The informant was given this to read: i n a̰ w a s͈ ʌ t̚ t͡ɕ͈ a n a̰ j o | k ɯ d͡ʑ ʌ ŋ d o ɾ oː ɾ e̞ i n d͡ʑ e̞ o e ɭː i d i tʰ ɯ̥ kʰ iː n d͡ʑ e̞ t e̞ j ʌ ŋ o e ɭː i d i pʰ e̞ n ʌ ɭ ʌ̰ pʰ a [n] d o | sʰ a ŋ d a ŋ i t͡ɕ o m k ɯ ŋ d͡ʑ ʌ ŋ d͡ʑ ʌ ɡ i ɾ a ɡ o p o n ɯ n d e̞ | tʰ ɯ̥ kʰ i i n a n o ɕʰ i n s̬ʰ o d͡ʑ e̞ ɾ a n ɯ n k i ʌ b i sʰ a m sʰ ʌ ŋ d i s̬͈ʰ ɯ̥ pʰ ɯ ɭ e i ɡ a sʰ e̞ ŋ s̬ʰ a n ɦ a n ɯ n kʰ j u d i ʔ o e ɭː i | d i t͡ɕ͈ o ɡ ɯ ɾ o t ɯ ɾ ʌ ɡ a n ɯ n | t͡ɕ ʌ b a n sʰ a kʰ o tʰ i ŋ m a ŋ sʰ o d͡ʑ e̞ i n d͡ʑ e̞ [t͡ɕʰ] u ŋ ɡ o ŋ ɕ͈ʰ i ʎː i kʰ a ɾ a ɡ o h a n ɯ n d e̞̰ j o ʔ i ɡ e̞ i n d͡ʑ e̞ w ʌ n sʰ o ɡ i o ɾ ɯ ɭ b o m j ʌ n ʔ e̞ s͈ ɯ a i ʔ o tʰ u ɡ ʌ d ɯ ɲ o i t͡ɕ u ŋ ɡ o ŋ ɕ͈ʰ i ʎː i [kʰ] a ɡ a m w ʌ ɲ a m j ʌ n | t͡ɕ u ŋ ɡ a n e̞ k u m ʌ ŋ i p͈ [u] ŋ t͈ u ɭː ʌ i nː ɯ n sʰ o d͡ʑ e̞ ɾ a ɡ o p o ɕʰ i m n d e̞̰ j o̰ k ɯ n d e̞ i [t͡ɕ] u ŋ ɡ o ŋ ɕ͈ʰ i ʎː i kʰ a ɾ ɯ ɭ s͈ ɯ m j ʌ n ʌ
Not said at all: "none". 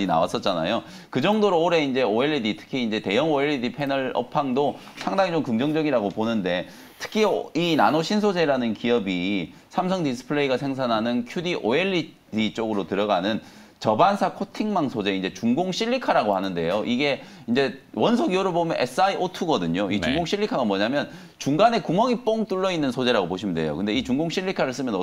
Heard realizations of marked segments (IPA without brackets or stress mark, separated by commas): ŋ, t͡ɕ, kʰ, o, t͡ɕ